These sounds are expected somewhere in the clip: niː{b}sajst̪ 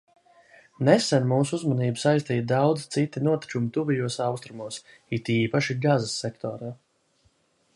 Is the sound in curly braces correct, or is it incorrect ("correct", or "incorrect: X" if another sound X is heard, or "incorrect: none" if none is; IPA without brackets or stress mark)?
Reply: correct